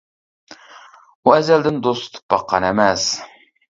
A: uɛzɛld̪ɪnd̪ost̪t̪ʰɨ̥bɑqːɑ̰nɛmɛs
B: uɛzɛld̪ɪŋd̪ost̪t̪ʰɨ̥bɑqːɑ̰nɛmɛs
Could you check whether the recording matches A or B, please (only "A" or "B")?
A